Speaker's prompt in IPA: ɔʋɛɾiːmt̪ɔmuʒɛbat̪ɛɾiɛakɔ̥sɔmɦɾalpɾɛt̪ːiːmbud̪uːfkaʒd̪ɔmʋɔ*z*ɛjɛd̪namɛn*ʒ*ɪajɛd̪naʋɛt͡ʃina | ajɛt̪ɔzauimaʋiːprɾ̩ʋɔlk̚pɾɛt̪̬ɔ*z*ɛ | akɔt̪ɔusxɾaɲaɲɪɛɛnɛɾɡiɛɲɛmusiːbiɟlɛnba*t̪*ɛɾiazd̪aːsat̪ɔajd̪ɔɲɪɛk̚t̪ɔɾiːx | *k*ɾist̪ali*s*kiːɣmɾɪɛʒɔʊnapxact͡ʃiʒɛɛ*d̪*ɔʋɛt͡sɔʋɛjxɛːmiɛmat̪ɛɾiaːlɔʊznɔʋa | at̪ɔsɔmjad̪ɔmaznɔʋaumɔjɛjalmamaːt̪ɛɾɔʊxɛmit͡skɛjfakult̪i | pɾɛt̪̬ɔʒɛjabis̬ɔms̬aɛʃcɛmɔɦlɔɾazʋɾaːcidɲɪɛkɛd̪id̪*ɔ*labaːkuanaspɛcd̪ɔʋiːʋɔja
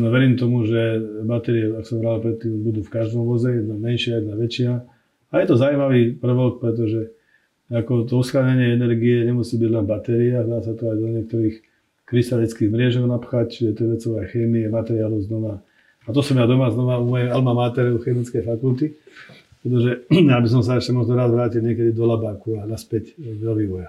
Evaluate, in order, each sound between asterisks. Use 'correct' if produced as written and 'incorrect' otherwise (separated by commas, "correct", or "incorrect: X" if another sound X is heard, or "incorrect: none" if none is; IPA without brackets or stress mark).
correct, incorrect: ʃ, incorrect: ʒ, correct, correct, incorrect: t͡s, incorrect: t̪, correct